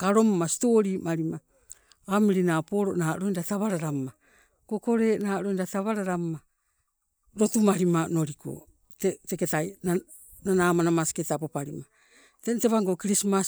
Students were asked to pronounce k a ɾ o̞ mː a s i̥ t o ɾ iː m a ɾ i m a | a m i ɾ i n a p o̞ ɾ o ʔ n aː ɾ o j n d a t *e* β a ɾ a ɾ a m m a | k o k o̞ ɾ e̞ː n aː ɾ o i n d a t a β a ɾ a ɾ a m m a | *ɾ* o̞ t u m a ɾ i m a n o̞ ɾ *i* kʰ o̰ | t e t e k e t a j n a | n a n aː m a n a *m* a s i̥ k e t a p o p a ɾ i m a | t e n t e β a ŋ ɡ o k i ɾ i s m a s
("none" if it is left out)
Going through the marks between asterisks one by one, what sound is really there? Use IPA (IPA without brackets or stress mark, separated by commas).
a, ɾ, i, m